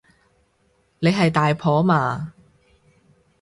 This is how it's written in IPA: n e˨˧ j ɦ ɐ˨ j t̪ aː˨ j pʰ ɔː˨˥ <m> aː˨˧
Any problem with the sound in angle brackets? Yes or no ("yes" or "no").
no